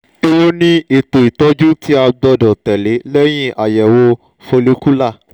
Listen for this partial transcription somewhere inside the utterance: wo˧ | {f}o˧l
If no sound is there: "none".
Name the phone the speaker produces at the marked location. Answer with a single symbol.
f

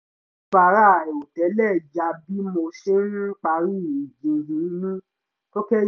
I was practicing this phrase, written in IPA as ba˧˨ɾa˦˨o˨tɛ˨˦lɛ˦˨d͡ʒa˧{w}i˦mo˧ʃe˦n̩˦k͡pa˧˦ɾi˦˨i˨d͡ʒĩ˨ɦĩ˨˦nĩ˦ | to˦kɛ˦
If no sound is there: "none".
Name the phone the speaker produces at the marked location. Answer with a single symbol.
b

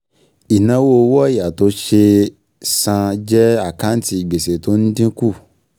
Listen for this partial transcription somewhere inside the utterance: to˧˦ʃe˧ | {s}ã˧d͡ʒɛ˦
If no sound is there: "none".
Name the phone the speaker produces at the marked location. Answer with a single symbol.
s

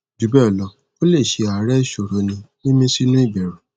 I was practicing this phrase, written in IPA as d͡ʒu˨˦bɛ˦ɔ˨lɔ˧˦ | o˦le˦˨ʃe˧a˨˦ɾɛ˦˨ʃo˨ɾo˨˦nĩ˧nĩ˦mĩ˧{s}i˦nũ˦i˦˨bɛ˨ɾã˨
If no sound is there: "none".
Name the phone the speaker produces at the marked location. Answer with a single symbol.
s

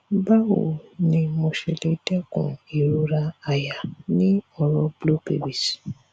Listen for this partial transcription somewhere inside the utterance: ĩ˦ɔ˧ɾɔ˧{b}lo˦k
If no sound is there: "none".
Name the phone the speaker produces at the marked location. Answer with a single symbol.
b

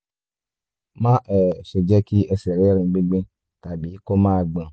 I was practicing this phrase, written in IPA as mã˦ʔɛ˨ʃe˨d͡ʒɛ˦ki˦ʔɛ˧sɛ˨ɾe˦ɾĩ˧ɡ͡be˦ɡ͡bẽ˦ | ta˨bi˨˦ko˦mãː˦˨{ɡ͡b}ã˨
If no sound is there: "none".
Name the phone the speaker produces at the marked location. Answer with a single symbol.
ɡ͡b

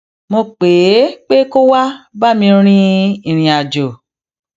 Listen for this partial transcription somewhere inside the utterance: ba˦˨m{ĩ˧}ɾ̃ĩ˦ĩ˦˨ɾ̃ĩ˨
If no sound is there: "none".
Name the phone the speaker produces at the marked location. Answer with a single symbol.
ĩ˧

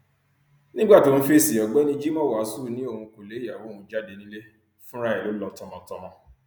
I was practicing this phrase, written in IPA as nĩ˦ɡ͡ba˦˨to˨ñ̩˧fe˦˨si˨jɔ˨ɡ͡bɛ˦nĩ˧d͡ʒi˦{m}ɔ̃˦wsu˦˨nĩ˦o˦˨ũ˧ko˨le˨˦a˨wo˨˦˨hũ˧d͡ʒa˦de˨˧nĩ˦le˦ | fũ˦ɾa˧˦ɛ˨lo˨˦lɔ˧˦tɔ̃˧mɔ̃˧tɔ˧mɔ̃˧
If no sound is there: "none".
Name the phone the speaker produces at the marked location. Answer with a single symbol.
m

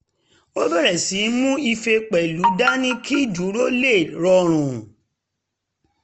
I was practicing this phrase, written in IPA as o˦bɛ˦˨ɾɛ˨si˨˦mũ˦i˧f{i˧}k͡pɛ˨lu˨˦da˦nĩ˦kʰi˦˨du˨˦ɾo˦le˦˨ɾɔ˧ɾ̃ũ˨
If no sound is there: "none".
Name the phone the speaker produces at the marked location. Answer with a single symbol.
e˧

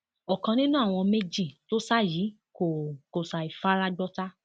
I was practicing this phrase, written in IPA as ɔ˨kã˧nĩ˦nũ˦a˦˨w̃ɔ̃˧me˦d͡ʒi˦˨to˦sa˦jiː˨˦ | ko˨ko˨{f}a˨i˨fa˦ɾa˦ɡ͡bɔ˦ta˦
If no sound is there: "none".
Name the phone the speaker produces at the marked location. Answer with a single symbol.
s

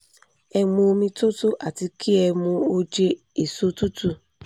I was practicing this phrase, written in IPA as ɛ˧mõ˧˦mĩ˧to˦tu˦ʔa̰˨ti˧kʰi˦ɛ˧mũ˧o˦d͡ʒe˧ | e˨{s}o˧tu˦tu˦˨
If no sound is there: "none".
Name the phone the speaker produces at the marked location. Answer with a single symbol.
s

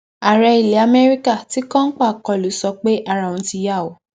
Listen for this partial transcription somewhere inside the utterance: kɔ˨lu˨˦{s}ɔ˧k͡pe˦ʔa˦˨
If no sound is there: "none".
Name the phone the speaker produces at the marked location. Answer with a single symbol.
s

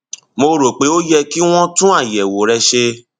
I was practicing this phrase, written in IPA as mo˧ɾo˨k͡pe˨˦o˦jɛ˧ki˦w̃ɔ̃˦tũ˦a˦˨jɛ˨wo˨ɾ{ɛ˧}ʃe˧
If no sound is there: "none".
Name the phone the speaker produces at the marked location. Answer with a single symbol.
ɛ˧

